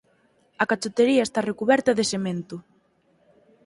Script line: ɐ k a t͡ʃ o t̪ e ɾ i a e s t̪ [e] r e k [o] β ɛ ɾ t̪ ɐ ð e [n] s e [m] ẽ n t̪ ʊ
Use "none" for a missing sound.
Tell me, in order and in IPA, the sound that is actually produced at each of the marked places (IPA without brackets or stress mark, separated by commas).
a, u, none, m